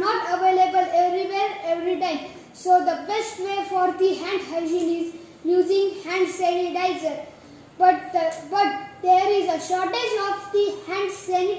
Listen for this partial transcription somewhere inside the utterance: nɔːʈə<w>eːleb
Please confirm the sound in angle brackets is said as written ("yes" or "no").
no